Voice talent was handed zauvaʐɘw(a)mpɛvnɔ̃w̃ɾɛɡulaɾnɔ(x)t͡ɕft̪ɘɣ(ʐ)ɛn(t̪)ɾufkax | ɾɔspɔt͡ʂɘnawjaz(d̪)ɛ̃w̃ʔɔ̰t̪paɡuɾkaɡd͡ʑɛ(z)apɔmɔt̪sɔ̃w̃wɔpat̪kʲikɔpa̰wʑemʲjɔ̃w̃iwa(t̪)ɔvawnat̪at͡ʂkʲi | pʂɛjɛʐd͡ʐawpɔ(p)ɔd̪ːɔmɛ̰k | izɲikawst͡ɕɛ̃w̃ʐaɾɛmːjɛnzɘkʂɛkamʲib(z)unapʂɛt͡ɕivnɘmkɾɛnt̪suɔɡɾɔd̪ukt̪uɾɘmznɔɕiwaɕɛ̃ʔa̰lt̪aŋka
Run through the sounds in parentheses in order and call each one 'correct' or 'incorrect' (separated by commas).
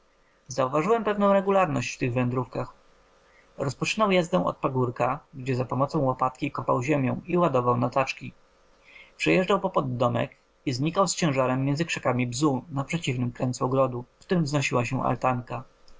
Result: incorrect, incorrect, incorrect, incorrect, correct, correct, incorrect, correct, correct